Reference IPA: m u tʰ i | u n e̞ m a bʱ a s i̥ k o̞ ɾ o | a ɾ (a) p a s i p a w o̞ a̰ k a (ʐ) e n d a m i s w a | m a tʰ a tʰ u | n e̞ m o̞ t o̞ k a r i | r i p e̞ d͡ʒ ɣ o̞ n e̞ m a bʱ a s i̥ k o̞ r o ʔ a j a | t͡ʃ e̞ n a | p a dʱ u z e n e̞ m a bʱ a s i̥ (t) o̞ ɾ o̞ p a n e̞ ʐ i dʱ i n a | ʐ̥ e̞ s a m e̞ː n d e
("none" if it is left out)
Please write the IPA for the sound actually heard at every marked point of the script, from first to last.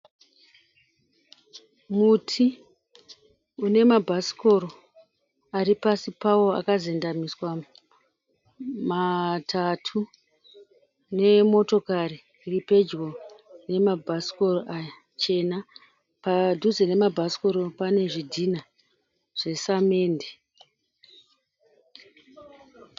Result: i, z, k

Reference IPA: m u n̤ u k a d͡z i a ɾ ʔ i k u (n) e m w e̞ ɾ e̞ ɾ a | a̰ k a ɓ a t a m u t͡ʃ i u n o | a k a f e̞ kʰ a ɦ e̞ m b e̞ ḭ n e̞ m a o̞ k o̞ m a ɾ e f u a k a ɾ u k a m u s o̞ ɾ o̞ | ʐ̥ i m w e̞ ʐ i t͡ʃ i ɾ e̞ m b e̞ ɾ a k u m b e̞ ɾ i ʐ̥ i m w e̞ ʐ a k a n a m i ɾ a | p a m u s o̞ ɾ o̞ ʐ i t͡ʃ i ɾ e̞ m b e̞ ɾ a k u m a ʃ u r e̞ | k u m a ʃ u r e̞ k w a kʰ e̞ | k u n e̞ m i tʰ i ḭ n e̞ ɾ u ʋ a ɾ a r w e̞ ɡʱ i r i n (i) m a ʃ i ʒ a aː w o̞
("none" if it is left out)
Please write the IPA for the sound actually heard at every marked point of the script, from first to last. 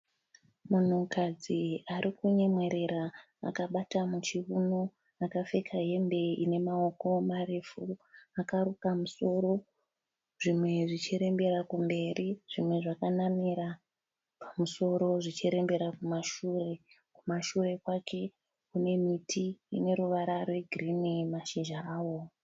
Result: ɲ, i

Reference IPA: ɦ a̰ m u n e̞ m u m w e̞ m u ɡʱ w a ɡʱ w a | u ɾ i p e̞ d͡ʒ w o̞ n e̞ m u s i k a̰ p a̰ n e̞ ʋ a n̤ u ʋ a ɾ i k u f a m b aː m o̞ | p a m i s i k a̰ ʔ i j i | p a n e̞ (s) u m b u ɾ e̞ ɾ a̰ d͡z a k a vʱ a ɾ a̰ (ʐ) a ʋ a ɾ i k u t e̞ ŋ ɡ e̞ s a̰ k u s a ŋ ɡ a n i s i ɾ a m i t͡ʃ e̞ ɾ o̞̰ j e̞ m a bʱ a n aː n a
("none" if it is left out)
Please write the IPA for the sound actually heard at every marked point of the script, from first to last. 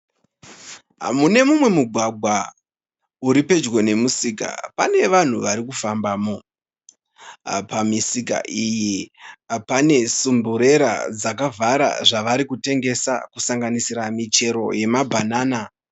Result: s, ʐ

